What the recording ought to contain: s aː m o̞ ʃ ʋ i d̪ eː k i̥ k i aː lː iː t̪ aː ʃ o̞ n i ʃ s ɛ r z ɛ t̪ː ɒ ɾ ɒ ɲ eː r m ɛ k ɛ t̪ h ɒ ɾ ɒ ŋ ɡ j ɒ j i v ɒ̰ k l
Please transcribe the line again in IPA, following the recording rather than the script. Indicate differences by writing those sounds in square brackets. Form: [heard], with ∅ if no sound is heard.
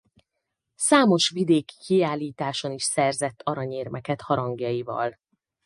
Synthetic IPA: s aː m o̞ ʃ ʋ i d̪ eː k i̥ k i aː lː iː t̪ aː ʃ o̞ n i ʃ s ɛ r z ɛ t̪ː ɒ ɾ ɒ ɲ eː r m ɛ k ɛ t̪ h ɒ ɾ ɒ ŋ ɡ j ɒ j i v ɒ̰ [∅] l